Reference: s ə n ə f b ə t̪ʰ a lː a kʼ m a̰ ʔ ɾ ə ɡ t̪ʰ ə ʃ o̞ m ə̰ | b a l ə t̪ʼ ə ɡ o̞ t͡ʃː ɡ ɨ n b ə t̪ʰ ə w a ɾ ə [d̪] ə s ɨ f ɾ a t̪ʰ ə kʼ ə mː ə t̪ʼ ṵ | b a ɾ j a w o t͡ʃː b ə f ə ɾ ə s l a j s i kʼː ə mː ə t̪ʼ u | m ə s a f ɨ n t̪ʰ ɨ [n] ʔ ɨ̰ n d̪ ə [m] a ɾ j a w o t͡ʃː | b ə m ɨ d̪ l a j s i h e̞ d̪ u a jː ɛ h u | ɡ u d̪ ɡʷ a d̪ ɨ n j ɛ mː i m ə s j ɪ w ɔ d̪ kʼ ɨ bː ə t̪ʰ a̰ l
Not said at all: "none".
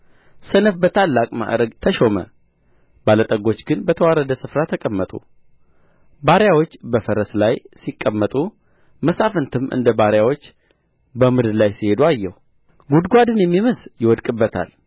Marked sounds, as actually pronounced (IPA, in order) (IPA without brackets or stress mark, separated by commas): d̪, m, b